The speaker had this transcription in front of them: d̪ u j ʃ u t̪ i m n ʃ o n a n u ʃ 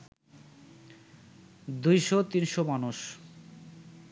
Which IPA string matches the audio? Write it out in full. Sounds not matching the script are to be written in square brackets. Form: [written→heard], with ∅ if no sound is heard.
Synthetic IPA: d̪ u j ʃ [u→o] t̪ i [m→∅] n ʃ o [n→m] a n u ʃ